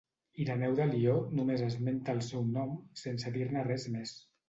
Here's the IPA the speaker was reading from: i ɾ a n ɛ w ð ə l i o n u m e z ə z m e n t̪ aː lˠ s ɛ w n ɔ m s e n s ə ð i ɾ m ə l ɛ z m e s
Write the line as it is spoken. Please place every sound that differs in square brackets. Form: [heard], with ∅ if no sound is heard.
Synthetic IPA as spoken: i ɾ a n ɛ w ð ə l i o n u m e z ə z m e n t̪ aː lˠ s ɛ w n ɔ m s e n s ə ð i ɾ [n] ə [r] ɛ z m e s